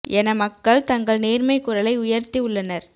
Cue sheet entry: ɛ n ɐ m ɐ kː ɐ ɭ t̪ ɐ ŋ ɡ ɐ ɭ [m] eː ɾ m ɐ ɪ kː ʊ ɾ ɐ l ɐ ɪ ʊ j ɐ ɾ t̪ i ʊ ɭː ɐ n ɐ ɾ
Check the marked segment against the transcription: incorrect: n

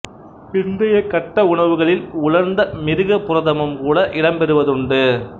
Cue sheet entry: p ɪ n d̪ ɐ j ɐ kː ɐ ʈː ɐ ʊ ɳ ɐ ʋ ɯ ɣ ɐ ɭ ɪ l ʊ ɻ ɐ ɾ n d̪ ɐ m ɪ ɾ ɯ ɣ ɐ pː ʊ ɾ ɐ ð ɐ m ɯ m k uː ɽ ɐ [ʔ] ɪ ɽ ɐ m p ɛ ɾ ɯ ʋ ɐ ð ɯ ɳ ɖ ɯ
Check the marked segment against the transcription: correct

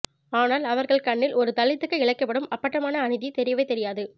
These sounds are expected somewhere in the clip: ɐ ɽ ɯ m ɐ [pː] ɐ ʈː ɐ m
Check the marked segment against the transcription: correct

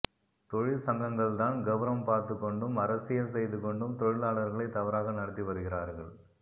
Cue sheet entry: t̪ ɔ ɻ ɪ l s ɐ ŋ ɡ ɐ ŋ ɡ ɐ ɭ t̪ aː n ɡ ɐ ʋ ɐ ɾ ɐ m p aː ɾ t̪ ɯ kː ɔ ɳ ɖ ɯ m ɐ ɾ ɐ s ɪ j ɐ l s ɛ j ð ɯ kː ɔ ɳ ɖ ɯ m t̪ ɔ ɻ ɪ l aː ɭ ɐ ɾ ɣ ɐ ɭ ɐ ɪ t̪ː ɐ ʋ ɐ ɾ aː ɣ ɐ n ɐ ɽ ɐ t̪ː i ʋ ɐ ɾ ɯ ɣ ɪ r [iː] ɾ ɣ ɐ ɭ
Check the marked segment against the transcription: incorrect: aː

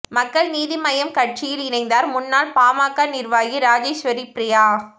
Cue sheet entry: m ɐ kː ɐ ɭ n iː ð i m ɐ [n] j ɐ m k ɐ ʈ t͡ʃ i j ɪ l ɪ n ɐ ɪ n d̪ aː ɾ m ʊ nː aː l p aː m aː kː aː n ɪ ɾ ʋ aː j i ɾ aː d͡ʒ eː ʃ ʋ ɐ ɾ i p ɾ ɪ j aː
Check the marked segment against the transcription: incorrect: none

